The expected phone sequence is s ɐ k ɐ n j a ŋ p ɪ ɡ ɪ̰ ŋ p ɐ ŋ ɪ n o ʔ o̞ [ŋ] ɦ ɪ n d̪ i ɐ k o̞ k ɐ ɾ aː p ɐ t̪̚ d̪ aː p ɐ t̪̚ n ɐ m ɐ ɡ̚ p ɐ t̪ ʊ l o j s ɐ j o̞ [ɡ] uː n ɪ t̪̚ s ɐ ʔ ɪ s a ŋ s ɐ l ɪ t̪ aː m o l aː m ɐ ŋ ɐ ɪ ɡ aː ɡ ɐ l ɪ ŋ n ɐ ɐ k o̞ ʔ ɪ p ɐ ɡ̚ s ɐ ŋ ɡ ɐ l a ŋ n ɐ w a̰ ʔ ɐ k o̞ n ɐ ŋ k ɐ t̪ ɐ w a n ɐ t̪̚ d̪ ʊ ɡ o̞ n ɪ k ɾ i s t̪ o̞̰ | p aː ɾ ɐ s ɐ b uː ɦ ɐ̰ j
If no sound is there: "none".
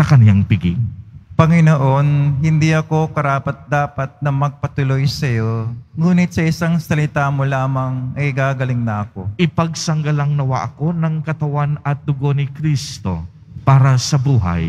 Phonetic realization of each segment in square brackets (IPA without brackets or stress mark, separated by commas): n, ŋ